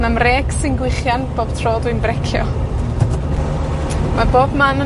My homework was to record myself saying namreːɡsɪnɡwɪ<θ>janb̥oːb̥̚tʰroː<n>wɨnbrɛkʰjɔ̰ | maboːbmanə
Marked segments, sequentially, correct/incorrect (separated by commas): incorrect, incorrect